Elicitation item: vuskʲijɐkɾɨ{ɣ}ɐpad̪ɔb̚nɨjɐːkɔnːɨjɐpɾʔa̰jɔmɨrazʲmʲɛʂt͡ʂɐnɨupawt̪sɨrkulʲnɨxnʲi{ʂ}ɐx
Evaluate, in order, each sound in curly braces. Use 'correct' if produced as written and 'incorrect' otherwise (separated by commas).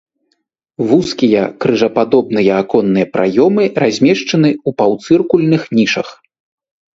incorrect, correct